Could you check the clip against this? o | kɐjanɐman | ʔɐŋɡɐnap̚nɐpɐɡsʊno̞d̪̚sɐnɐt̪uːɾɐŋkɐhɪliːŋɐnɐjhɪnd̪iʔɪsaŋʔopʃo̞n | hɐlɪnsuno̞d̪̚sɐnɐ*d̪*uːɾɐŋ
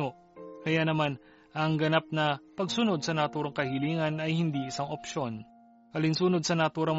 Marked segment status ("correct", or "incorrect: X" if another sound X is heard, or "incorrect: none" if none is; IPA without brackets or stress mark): incorrect: t̪